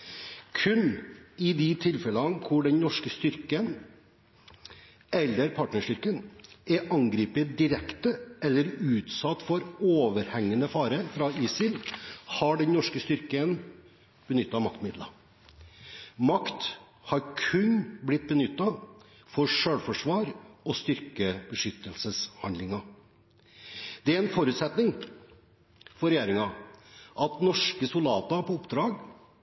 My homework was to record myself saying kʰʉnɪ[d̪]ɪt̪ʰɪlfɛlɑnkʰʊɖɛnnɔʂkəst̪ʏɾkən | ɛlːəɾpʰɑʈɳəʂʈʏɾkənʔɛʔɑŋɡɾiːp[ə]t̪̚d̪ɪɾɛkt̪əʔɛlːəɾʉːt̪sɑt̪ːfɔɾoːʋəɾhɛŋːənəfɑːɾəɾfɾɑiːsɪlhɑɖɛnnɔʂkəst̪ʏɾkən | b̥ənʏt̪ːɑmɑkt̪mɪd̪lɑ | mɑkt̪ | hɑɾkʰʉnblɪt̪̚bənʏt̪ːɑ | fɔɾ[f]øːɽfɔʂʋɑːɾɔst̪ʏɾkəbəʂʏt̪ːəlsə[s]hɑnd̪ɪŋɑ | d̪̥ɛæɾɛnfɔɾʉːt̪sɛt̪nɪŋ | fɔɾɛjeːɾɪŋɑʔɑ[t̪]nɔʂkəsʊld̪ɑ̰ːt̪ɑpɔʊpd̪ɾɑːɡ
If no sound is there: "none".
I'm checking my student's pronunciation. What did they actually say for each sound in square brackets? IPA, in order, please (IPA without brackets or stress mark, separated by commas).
d̪, ə, ʂ, s, t̪